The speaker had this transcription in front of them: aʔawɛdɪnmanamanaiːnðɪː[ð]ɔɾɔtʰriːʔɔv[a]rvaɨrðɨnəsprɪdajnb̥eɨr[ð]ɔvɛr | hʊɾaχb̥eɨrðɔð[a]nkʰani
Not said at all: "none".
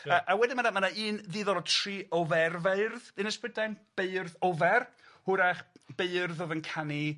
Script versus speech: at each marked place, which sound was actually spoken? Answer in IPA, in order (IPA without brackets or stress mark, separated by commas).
ð, ɛ, ð, ə